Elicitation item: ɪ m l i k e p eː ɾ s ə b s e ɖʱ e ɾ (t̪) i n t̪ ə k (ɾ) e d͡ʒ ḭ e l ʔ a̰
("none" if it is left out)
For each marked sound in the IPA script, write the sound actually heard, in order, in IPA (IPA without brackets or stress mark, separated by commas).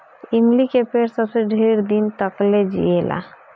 d̪, l